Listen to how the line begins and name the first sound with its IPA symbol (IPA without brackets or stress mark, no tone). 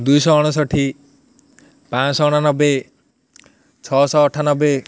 d̪